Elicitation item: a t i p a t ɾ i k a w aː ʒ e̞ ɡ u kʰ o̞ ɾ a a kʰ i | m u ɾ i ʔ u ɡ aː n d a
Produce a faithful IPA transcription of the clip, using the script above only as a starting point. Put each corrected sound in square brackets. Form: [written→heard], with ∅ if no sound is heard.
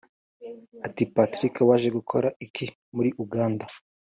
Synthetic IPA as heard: a t i p a t ɾ i k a w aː ʒ e̞ ɡ u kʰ o̞ ɾ a [a→i] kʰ i | m u ɾ i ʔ u ɡ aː n d a